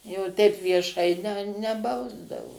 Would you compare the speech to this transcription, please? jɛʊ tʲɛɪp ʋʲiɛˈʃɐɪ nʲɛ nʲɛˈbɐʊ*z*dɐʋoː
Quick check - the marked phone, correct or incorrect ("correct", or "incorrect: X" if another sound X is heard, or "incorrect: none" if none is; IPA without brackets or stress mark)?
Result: correct